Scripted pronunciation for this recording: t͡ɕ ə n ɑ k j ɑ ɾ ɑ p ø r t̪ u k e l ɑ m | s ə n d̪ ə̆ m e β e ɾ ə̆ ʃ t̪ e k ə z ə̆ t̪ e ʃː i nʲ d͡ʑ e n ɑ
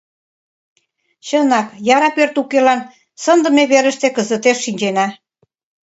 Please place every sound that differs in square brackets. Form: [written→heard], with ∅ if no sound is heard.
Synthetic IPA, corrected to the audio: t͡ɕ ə n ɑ k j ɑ ɾ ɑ p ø r t̪ u k e l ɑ [m→n] | s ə n d̪ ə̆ m e β e ɾ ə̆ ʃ t̪ e k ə z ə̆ t̪ e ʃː i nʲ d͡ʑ e n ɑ